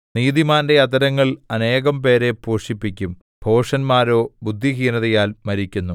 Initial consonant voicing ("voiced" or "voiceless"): voiced